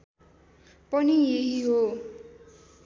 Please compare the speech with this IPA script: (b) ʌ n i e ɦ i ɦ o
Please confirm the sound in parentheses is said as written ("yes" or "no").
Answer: no